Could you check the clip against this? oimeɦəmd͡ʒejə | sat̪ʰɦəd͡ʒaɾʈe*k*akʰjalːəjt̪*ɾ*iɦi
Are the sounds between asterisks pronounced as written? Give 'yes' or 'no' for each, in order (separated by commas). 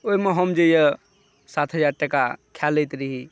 yes, yes